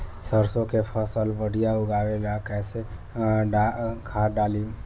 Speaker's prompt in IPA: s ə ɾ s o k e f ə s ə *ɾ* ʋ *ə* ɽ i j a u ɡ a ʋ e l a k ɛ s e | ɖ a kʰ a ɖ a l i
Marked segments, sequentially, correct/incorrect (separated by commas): incorrect, correct